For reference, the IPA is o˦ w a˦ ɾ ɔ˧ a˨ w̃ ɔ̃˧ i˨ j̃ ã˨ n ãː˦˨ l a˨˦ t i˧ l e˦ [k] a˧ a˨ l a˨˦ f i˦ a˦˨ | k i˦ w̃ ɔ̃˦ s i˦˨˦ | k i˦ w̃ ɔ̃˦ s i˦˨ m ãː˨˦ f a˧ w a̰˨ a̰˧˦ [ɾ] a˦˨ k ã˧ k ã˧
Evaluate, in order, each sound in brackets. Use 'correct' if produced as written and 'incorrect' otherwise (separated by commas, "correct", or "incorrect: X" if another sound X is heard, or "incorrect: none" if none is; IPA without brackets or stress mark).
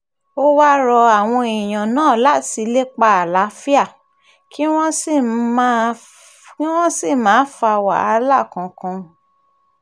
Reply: incorrect: k͡p, incorrect: l